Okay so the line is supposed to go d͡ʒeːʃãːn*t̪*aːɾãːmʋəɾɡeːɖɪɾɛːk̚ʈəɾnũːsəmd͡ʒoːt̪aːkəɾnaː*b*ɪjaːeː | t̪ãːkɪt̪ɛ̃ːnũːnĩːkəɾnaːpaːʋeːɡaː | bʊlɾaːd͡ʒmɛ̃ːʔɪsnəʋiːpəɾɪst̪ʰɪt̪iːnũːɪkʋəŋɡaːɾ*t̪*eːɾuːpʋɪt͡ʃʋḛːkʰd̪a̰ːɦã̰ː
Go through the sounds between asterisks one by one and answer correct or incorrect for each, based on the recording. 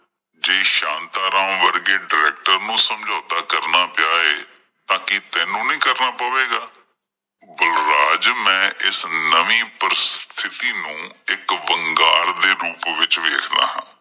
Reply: correct, incorrect, incorrect

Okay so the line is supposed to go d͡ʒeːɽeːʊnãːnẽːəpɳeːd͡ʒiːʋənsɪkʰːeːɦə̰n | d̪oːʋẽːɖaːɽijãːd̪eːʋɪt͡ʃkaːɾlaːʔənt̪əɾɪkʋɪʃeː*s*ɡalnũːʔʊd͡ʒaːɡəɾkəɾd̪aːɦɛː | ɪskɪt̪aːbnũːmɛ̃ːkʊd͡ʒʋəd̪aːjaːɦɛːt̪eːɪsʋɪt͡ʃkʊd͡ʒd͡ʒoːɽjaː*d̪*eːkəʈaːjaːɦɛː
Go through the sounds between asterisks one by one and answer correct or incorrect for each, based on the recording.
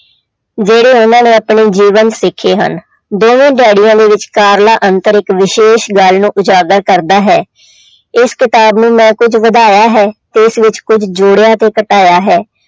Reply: incorrect, incorrect

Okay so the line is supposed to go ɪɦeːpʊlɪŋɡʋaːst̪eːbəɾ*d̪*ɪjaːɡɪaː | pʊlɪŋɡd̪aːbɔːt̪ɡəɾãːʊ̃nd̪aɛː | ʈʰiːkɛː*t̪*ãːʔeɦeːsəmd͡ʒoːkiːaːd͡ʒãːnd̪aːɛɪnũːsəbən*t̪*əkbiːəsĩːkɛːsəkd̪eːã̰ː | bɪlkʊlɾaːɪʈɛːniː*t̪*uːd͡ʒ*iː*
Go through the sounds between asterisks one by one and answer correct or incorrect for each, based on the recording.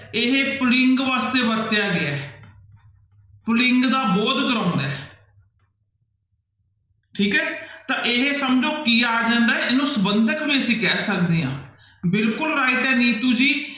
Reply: incorrect, correct, incorrect, correct, correct

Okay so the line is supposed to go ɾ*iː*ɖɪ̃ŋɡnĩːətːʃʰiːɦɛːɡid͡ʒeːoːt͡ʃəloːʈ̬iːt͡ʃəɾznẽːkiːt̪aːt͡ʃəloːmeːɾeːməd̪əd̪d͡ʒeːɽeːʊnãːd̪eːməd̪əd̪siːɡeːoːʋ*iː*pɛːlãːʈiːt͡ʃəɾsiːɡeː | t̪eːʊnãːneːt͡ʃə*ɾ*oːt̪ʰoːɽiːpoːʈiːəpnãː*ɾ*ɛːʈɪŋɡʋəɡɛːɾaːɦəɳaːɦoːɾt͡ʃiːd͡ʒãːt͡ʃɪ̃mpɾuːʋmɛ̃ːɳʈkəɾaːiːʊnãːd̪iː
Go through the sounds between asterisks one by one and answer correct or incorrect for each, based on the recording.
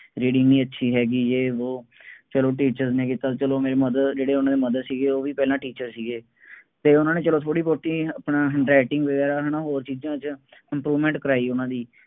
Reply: correct, correct, incorrect, correct

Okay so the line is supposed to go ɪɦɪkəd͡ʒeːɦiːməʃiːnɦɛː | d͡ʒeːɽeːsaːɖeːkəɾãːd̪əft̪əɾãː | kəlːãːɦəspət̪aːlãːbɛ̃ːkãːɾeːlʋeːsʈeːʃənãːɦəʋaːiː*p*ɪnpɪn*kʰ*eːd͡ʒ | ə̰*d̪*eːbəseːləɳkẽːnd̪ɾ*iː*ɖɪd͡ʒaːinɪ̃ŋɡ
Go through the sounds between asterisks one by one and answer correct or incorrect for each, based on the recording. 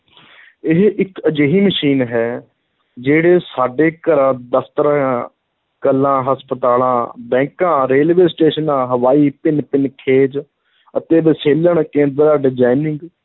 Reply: correct, correct, incorrect, incorrect

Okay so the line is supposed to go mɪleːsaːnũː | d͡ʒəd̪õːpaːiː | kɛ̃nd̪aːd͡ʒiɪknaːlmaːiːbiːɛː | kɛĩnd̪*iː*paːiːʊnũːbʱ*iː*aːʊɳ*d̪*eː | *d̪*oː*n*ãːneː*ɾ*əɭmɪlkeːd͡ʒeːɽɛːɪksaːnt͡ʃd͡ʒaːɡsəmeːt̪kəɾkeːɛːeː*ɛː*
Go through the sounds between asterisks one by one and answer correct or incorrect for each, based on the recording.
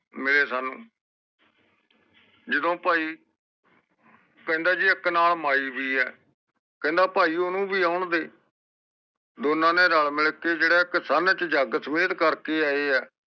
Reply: incorrect, correct, correct, correct, correct, correct, correct

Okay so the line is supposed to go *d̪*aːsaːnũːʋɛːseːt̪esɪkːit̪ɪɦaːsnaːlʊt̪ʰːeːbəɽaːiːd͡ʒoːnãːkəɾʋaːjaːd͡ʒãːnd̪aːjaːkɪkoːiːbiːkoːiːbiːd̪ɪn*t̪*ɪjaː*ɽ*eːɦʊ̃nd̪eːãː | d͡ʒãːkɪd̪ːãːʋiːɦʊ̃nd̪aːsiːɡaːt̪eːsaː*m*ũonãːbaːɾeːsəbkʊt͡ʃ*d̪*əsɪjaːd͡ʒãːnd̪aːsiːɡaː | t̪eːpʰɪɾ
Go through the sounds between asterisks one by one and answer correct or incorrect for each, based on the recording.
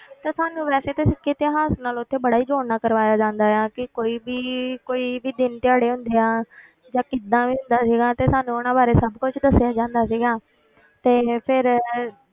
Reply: incorrect, correct, correct, incorrect, correct

